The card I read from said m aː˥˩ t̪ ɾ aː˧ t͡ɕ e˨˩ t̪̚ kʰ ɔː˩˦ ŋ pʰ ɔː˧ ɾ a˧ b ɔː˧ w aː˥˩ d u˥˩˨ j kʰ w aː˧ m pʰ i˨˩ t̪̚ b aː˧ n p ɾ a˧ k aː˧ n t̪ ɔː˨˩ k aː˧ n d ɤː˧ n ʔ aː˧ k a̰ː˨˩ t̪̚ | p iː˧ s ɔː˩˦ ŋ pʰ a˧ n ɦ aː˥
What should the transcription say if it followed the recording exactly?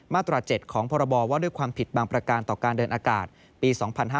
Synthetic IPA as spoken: m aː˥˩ t̪ ɾ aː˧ t͡ɕ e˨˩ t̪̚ kʰ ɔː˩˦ ŋ pʰ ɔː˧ ɾ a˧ b ɔː˧ w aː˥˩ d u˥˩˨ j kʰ w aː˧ m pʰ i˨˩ t̪̚ b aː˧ ŋ p ɾ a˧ k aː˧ n t̪ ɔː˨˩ k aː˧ n d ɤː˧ n ʔ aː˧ k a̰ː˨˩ t̪̚ | p iː˧ s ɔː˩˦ ŋ pʰ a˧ n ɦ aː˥